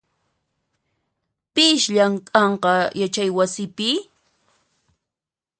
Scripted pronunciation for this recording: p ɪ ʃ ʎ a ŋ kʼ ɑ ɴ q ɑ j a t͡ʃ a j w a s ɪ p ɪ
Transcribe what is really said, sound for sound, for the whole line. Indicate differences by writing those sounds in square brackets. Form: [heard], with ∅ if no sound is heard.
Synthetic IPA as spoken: p ɪ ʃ ʎ a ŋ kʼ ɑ ɴ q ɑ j a t͡ʃ a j w a s ɪ p ɪ